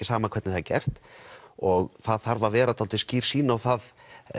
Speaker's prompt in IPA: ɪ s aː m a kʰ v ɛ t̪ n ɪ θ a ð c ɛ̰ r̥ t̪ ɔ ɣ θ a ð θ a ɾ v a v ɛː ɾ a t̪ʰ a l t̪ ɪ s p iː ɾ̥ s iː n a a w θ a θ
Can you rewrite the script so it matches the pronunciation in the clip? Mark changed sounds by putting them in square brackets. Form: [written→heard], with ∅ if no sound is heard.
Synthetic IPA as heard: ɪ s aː m a kʰ v ɛ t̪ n ɪ θ a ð c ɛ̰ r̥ t̪ ɔ ɣ θ a ð θ a ɾ v a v ɛː ɾ a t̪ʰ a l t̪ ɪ s [p→c] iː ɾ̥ s iː n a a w θ a [θ→ð]